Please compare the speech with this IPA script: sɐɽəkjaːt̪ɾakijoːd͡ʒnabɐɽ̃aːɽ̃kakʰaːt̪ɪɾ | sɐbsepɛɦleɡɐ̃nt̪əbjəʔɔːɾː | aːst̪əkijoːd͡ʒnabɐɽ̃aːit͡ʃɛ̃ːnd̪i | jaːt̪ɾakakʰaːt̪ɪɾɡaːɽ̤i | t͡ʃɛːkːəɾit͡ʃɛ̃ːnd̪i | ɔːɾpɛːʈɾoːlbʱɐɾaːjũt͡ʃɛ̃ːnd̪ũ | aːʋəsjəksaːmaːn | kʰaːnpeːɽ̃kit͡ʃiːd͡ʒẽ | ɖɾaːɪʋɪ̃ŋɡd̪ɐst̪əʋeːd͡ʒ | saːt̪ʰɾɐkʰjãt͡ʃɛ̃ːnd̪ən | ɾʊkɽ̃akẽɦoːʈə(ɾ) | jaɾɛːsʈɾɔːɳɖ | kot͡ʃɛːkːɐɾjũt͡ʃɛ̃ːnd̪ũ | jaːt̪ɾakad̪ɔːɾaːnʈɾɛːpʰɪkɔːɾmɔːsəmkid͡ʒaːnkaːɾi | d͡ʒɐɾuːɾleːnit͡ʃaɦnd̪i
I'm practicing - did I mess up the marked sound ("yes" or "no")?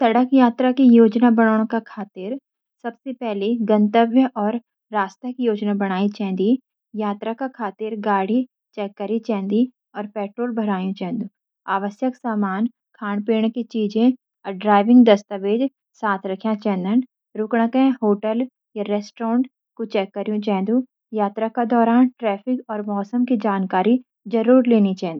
yes